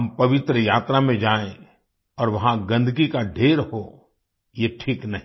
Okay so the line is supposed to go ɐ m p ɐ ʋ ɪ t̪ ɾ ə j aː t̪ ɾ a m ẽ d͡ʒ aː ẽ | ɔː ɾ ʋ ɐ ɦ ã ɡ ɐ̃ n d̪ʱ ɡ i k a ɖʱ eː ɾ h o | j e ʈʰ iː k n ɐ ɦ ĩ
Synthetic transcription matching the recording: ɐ m p ɐ ʋ ɪ t̪ ɾ ə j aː t̪ ɾ a m ẽ d͡ʒ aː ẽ | ɔː ɾ ʋ ɐ ɦ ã ɡ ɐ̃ n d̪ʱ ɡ i k a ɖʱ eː ɾ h o | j e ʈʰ iː k n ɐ ɦ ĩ